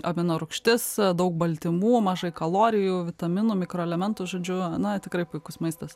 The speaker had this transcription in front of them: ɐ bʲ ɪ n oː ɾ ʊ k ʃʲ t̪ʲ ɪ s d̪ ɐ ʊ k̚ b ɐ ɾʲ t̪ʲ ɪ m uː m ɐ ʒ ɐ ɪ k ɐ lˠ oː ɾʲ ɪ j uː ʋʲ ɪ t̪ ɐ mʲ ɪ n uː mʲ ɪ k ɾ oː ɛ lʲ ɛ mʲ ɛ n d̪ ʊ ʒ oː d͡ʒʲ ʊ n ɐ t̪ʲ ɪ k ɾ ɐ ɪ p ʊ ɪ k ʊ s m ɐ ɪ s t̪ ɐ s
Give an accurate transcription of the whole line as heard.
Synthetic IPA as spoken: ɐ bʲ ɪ n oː ɾ ʊ k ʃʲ t̪ʲ ɪ s d̪ ɐ ʊ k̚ b ɐ lʲ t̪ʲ ɪ m uː m ɐ ʒ ɐ ɪ k ɐ lˠ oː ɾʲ ɪ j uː ʋʲ ɪ t̪ ɐ mʲ ɪ n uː mʲ ɪ k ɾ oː ɛ lʲ ɛ mʲ ɛ n t̪ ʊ ʒ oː d͡ʒʲ ʊ n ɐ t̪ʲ ɪ k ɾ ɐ ɪ p ʊ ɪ k ʊ s m ɐ ɪ s t̪ ɐ s